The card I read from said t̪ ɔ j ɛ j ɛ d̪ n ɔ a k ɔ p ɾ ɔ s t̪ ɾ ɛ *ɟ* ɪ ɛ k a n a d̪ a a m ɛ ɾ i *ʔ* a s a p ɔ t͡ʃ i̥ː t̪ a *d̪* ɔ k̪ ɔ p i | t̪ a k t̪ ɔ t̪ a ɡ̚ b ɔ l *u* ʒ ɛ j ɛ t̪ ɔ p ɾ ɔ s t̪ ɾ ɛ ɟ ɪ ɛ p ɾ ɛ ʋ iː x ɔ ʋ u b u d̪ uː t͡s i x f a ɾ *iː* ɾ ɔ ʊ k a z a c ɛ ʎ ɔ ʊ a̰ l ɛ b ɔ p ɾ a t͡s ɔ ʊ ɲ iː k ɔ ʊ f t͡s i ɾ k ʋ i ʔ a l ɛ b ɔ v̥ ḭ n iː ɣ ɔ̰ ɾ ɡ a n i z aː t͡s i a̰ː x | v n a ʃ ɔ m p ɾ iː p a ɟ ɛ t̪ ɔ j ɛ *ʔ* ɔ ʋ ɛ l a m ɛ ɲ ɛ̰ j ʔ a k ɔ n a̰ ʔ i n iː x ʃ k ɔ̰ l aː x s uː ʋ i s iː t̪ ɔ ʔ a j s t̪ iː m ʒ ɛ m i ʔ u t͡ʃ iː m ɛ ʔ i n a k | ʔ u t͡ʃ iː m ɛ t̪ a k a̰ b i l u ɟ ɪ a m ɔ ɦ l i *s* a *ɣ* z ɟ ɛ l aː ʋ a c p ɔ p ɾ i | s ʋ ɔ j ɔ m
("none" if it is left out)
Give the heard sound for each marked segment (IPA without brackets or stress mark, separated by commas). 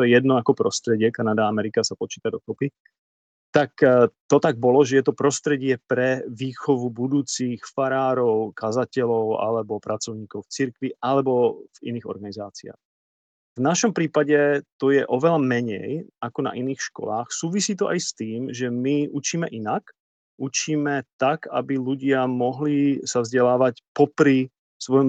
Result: ɟ, k, d̪, ɔ, aː, ʔ, s, v